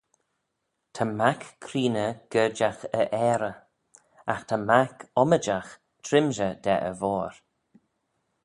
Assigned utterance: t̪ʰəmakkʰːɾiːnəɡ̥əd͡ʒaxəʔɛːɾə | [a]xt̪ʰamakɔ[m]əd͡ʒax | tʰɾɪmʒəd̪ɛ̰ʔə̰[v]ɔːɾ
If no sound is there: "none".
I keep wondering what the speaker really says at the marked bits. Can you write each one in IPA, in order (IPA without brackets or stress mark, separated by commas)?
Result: a, m, v